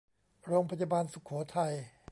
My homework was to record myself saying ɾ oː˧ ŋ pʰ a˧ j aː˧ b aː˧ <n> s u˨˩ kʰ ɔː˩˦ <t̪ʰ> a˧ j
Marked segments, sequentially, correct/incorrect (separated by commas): correct, correct